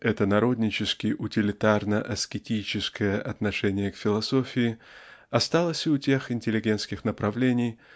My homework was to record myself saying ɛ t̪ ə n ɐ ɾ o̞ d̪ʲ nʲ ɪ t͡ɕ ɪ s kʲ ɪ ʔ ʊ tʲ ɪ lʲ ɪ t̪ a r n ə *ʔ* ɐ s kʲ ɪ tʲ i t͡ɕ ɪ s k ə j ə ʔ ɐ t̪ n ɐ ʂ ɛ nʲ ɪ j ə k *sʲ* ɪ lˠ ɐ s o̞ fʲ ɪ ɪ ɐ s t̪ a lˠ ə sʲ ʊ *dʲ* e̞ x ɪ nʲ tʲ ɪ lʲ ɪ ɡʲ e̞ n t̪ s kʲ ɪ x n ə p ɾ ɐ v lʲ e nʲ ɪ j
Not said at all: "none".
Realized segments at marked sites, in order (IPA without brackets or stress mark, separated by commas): ʔ, fʲ, tʲ